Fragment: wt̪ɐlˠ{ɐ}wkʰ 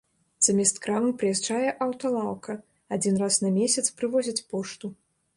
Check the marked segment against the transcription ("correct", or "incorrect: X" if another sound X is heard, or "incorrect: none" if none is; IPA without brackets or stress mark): incorrect: a